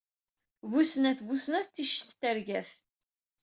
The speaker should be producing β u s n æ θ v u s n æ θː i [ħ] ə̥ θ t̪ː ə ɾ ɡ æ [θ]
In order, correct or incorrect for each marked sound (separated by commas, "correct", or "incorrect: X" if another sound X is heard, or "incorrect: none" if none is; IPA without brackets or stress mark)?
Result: incorrect: ʃ, correct